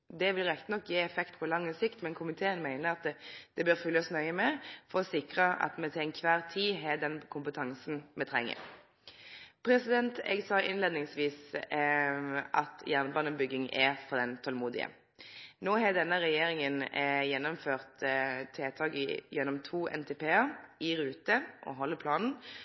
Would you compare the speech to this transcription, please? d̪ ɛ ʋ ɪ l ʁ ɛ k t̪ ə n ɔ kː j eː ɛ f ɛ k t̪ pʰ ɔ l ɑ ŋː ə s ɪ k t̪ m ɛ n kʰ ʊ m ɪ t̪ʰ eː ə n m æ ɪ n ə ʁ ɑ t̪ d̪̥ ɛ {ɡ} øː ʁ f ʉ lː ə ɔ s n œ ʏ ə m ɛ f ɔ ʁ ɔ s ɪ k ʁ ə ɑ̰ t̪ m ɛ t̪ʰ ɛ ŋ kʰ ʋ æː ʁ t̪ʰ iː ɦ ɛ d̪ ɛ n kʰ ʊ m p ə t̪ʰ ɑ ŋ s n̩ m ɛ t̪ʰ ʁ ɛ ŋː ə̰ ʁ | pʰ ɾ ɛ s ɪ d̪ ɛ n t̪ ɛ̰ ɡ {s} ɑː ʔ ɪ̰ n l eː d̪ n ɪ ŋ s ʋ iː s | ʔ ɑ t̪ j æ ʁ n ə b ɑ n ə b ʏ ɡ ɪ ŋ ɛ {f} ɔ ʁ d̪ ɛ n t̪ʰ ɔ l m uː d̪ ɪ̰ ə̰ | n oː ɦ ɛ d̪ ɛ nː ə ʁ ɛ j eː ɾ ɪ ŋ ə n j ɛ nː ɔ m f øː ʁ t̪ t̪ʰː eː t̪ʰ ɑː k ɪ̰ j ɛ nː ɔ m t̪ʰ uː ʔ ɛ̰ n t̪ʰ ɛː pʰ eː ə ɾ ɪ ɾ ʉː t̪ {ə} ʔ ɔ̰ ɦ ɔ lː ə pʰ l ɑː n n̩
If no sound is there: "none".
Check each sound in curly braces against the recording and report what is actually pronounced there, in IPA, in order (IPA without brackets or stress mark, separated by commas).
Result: b, s, f, ə